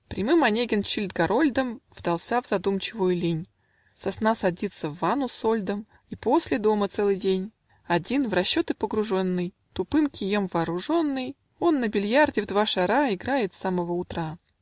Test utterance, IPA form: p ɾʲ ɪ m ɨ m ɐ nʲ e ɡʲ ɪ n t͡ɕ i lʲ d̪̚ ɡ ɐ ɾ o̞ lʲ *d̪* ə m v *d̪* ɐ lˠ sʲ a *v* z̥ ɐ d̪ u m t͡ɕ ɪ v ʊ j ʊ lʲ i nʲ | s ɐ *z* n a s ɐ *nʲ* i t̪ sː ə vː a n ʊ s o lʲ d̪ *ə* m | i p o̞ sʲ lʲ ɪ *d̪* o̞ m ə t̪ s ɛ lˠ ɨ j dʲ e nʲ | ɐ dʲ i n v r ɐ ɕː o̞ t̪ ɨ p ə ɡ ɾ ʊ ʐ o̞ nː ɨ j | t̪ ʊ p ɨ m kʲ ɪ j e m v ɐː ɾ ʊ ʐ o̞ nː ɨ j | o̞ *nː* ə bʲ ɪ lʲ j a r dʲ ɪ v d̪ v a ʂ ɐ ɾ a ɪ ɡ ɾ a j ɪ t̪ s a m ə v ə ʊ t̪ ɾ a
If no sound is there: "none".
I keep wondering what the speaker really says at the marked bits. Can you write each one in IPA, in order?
d̪, d̪, v, s, dʲ, ə, d̪, nː

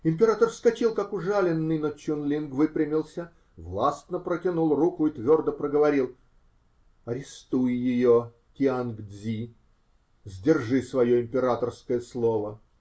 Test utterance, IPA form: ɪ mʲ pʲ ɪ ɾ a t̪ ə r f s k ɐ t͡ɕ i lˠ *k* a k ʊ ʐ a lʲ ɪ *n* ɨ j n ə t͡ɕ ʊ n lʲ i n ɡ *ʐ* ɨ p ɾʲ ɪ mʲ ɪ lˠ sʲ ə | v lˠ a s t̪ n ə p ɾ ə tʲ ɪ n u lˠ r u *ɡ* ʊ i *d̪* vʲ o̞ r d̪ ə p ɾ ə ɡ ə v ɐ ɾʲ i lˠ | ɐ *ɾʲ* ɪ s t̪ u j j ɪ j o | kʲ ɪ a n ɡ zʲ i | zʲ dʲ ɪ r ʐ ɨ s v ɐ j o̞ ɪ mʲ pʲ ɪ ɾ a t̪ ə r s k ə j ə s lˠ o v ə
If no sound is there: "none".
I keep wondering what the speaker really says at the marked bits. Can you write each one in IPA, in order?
k, nː, v, k, t̪, ɾʲ

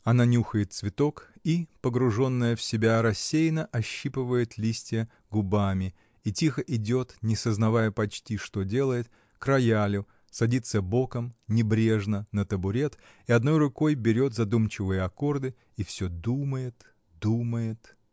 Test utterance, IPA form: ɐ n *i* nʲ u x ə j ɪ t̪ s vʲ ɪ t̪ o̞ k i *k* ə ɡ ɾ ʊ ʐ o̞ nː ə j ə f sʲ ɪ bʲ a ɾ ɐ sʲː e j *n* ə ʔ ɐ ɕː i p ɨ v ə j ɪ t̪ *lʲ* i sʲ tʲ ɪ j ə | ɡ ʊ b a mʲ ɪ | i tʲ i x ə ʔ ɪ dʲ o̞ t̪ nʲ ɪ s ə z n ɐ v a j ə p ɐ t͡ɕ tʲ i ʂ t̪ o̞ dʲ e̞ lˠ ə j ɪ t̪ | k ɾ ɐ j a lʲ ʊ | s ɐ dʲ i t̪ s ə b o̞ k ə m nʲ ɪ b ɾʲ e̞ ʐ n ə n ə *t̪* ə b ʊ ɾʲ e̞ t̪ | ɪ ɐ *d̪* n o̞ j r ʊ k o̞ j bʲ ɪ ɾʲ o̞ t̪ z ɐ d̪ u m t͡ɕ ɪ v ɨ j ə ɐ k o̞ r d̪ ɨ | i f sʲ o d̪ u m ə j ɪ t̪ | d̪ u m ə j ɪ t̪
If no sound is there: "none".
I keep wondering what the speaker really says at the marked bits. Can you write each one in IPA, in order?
a, p, n, lʲ, t̪, d̪

